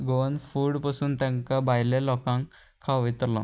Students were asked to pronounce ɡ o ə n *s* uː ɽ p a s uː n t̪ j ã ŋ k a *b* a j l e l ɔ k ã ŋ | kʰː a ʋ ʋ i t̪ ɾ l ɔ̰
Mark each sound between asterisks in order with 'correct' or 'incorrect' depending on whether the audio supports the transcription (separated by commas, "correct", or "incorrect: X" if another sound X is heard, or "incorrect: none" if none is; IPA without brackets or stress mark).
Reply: incorrect: f, correct